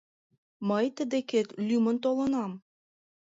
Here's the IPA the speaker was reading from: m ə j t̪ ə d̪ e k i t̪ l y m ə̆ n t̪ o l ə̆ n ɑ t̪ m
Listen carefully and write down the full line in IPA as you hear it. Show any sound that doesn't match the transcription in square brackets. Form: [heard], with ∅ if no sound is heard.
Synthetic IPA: m ə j t̪ ə d̪ e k [e] t̪ l y m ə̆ n t̪ o l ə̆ n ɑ [∅] m